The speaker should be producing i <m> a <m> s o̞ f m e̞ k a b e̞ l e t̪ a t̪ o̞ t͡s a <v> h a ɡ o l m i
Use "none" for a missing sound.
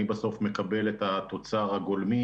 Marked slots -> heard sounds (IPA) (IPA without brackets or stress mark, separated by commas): b, none, ʁ